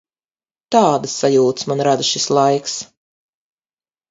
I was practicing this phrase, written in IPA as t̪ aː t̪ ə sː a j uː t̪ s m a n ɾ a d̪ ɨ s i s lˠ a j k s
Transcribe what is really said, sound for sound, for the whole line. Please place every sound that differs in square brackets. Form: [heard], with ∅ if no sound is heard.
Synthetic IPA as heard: t̪ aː [d̪] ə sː a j uː t̪ s m a n ɾ a d̪ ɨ [ʃ] i s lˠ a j k s